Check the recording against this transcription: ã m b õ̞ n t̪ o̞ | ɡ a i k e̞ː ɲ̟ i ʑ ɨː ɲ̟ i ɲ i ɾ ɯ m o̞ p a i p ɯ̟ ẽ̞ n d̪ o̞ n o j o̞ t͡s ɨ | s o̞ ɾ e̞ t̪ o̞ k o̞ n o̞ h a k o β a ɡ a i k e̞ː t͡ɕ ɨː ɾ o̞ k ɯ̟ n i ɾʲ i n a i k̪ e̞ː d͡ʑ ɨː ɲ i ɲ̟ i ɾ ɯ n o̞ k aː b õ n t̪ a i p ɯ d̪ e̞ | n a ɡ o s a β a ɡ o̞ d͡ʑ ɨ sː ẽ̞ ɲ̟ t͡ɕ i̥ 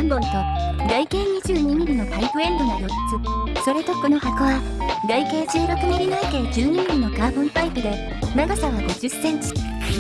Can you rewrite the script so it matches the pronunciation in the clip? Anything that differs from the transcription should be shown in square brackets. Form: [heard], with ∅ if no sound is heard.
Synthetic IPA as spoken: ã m b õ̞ n t̪ o̞ | ɡ a i k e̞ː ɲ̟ i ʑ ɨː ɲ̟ i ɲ i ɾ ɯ [n] o̞ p a i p ɯ̟ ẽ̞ n d̪ o̞ n o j o̞ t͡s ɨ | s o̞ ɾ e̞ t̪ o̞ k o̞ n o̞ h a k o β a ɡ a i k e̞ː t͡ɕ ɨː ɾ o̞ k ɯ̟ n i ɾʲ i n a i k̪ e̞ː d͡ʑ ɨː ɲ i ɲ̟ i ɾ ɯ n o̞ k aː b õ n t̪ a i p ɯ d̪ e̞ | n a ɡ o s a β a ɡ o̞ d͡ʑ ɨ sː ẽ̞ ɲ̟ t͡ɕ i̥